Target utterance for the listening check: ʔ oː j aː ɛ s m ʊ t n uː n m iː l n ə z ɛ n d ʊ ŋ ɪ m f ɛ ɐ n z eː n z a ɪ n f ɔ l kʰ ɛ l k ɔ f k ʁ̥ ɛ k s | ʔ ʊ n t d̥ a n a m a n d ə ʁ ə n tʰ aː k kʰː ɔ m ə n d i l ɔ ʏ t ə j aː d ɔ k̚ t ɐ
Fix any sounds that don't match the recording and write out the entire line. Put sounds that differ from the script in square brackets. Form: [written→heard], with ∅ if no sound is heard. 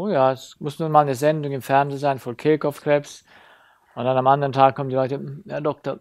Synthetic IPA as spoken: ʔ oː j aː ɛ s m ʊ [t→s] n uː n m [iː→aː] l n ə z ɛ n d ʊ ŋ ɪ m f ɛ ɐ n z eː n z a ɪ n f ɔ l kʰ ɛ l k ɔ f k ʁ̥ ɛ [k→p] s | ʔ ʊ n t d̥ a n a m a n d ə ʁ ə n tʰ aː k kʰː ɔ m ə n d i l ɔ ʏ t ə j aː d ɔ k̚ t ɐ